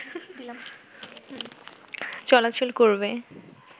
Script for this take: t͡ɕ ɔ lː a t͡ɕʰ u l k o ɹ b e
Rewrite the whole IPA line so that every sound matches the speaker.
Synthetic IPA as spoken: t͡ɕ ɔ l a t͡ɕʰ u l k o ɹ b e